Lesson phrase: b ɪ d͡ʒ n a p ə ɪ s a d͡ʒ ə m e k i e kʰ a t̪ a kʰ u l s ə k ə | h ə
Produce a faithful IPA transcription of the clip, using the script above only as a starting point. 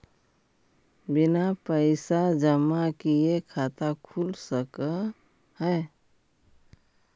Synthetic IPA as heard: b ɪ n a p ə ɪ s a d͡ʒ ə m a k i e kʰ a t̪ a kʰ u l s ə k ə | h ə